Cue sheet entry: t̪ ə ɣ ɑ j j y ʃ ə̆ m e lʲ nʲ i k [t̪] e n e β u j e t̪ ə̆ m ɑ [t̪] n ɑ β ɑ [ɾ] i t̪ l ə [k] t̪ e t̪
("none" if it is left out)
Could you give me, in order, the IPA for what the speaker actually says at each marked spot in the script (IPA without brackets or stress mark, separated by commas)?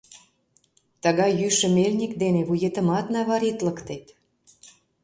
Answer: d̪, t̪, ɾ, k